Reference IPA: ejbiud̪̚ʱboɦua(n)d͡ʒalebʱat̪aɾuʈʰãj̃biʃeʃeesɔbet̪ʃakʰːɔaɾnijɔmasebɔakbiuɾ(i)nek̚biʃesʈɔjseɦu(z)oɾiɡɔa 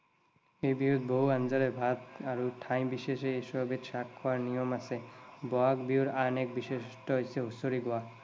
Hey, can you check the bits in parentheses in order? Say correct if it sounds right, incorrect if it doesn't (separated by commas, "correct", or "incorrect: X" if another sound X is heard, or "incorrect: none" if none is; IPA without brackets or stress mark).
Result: correct, incorrect: a, incorrect: s